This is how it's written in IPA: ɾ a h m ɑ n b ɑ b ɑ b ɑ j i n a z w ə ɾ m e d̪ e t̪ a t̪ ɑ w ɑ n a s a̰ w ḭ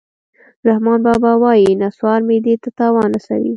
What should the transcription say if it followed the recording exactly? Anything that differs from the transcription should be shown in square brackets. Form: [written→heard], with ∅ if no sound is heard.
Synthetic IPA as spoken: ɾ a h m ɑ n b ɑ b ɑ [b→w] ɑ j i n a [z→s] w [ə→ɑ] ɾ m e d̪ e t̪ a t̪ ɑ w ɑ n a s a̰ w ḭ